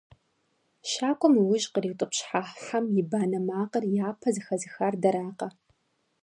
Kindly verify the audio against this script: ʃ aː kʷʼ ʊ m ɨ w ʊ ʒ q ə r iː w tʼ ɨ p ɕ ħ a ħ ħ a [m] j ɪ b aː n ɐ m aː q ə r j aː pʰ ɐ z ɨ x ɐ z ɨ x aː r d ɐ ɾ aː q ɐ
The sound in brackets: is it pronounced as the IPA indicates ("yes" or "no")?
yes